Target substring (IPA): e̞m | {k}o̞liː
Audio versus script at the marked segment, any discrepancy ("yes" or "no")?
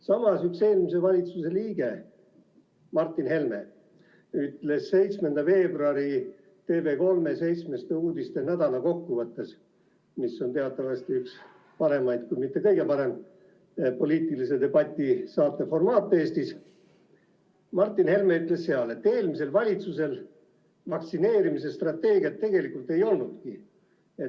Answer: yes